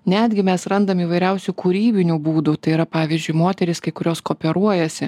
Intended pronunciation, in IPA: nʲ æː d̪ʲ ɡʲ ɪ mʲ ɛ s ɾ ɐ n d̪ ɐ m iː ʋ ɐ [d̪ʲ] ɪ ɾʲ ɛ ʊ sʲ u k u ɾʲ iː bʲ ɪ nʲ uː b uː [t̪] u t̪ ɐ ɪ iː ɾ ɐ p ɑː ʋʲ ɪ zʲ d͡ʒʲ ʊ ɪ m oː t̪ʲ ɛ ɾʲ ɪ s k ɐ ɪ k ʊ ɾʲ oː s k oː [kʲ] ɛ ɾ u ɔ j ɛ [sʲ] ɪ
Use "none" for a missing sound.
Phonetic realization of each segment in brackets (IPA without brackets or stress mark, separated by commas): none, d̪, pʲ, sʲ